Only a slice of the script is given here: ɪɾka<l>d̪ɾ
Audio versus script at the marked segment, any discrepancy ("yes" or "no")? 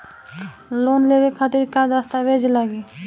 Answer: yes